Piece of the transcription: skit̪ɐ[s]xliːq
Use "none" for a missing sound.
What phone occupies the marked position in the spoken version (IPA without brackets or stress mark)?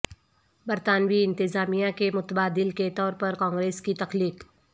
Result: none